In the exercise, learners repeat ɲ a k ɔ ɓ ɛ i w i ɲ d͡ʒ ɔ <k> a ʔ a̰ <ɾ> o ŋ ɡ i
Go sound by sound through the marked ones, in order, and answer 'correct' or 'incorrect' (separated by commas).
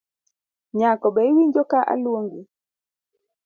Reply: correct, incorrect